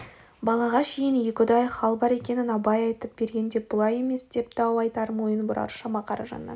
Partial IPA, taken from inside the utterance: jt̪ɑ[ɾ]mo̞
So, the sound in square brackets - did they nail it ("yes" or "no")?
yes